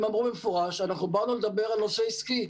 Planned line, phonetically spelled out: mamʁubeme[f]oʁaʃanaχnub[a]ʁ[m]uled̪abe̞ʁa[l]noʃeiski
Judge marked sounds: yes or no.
yes, yes, no, yes

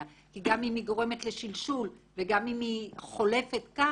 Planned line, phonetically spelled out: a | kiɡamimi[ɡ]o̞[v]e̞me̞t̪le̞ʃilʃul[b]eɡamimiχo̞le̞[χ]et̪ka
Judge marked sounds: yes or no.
yes, no, no, no

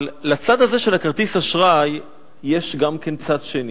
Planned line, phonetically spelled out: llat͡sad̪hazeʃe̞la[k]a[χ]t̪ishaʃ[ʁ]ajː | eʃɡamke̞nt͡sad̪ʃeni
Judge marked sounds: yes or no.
yes, no, yes

